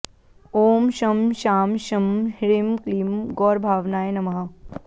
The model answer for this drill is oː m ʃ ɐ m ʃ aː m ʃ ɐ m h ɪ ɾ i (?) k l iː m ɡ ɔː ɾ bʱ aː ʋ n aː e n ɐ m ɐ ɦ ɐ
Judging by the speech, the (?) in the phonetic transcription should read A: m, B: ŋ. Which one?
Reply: A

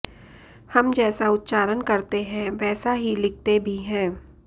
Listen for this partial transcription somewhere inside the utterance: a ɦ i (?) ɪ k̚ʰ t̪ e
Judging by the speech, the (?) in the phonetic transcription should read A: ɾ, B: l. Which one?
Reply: B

